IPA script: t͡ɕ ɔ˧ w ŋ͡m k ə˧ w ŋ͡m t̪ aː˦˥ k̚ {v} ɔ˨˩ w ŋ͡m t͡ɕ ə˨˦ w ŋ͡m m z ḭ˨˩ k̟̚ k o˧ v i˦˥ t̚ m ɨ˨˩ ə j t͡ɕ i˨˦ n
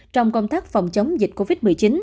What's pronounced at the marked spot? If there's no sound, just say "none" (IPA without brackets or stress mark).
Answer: f